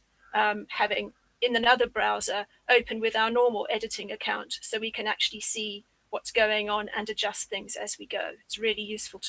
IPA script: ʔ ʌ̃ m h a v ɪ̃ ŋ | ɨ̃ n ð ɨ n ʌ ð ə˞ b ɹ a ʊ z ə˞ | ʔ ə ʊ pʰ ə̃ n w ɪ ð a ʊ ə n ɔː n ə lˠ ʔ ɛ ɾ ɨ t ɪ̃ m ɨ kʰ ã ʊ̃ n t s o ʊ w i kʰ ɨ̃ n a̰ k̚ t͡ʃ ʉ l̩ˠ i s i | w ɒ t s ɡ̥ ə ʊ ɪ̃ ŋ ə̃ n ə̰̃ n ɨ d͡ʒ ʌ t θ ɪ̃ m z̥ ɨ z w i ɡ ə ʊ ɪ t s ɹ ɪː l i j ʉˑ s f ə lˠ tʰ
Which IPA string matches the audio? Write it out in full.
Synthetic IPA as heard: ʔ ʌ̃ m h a v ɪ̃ ŋ | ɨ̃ n ð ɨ n ʌ ð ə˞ b ɹ a ʊ z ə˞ | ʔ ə ʊ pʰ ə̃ n w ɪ ð a ʊ ə n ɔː m ə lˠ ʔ ɛ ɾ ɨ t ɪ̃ ŋ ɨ kʰ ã ʊ̃ n t s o ʊ w i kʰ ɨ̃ n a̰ k̚ t͡ʃ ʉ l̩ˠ i s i | w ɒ t s ɡ̥ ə ʊ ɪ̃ ŋ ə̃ n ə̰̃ n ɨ d͡ʒ ʌ s θ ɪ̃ ŋ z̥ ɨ z w i ɡ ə ʊ ɪ t s ɹ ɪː l i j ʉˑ s f ə lˠ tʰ